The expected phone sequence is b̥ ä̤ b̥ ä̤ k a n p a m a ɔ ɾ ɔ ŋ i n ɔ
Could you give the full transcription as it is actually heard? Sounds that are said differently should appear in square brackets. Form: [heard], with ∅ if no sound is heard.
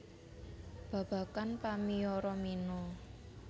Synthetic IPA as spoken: b̥ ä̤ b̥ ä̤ k a n p a m [i] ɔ ɾ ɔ [m] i n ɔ